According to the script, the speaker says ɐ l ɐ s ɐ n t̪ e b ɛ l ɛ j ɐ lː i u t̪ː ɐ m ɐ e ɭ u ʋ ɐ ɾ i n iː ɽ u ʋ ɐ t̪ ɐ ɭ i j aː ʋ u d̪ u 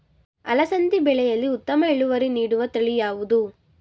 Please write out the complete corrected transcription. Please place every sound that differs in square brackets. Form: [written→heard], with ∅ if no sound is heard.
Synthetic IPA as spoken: ɐ l ɐ s ɐ n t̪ [e→i] b ɛ [l→ɭ] ɛ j ɐ lː i u t̪ː ɐ m ɐ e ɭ u ʋ ɐ ɾ i n iː ɽ u ʋ ɐ t̪ ɐ ɭ i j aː ʋ u d̪ u

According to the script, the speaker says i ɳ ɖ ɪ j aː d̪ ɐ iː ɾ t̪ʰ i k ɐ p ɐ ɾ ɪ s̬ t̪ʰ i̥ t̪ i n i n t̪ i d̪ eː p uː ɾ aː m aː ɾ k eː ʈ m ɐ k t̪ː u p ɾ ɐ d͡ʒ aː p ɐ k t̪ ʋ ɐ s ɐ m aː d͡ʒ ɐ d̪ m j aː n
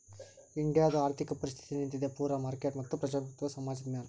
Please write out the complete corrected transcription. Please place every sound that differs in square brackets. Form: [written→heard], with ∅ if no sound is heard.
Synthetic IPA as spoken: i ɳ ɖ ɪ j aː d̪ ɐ [iː→aː] ɾ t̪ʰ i k ɐ p ɐ ɾ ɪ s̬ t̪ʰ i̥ t̪ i n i n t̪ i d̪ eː p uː ɾ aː m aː ɾ k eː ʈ m ɐ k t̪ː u p ɾ ɐ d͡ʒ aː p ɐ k t̪ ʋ ɐ s ɐ m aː d͡ʒ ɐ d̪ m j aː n

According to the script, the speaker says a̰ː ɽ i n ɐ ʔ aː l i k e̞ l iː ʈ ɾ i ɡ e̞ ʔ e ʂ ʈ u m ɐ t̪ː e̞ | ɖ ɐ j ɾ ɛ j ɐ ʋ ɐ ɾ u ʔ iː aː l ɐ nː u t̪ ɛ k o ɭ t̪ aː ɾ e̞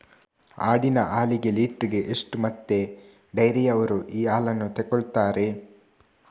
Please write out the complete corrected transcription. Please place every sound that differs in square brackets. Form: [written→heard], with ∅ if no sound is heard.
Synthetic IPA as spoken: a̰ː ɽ i n ɐ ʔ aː l i [k→ɡ] e̞ l iː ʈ ɾ i ɡ e̞ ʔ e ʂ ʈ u m ɐ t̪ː e̞ | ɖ ɐ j ɾ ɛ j ɐ ʋ ɐ ɾ u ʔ iː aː l ɐ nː u t̪ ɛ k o ɭ t̪ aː ɾ e̞

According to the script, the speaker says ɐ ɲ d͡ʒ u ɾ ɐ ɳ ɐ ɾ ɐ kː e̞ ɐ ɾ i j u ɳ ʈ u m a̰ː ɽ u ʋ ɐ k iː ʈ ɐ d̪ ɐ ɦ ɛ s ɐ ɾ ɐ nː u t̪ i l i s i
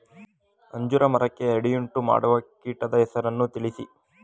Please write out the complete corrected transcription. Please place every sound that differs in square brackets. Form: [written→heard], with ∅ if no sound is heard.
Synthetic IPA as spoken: ɐ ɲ d͡ʒ u ɾ ɐ [ɳ→m] ɐ ɾ ɐ kː e̞ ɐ [ɾ→ɽ] i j u ɳ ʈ u m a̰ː ɽ u ʋ ɐ k iː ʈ ɐ d̪ ɐ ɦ ɛ s ɐ ɾ ɐ nː u t̪ i [l→ɭ] i s i

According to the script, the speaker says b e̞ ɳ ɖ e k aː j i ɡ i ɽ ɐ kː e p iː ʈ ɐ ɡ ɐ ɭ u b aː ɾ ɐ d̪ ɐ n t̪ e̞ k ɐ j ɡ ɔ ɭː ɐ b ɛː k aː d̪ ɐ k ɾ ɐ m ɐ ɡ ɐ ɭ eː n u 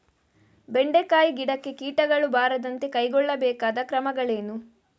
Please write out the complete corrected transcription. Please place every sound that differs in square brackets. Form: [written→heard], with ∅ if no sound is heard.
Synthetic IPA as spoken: b e̞ ɳ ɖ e k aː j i ɡ i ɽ ɐ kː e [p→k] iː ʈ ɐ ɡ ɐ ɭ u b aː ɾ ɐ d̪ ɐ n t̪ e̞ k ɐ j ɡ ɔ ɭː ɐ b ɛː k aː d̪ ɐ k ɾ ɐ m ɐ ɡ ɐ ɭ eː n u

